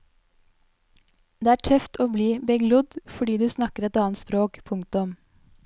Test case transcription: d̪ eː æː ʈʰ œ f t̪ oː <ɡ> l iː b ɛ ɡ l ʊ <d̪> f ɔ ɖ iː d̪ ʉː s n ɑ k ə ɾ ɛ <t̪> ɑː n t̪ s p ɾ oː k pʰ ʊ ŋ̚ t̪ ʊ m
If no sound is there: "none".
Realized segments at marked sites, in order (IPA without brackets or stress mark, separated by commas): b, d̪, t̪